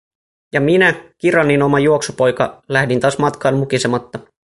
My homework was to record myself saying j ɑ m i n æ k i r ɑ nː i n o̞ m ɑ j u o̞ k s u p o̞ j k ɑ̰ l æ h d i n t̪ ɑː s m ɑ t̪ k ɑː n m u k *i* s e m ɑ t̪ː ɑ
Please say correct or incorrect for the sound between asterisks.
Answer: correct